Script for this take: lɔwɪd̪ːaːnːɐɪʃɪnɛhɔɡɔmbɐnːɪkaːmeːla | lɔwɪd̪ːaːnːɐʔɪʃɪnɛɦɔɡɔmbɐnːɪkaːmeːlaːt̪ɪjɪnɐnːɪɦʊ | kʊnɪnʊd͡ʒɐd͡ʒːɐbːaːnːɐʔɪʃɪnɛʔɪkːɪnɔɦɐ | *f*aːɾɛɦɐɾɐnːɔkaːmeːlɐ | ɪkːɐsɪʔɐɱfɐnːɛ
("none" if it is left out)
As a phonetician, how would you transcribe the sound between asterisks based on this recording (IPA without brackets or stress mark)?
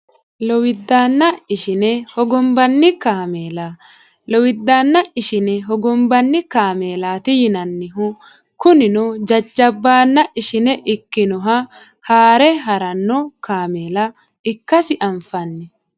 h